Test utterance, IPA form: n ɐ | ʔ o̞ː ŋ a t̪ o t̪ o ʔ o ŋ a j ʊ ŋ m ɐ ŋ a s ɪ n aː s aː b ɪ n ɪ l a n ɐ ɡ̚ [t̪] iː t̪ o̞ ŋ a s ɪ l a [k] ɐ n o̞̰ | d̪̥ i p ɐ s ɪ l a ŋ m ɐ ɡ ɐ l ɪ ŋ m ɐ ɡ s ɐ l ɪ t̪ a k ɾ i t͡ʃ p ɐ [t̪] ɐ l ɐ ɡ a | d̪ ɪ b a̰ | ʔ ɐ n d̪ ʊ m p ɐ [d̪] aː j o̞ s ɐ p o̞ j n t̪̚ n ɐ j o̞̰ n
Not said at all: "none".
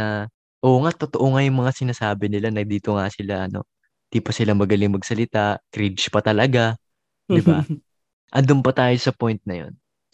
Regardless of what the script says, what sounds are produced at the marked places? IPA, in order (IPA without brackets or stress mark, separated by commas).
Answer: d̪, ʔ, t̪, t̪